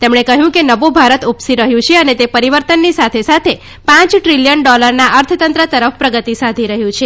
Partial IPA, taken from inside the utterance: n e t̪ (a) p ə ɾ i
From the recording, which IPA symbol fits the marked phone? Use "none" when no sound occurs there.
e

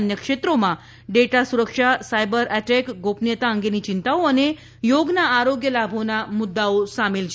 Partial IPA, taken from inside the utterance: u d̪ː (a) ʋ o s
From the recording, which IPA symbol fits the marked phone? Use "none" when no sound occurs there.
a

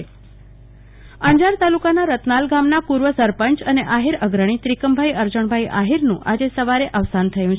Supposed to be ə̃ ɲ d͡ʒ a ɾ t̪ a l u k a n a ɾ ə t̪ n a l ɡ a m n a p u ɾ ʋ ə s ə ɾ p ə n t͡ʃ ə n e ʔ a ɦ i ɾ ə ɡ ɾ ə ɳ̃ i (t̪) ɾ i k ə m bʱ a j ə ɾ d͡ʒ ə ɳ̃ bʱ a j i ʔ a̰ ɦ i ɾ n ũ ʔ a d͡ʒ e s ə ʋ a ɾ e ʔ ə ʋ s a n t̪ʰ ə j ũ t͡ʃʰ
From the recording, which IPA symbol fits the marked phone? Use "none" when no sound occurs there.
t̪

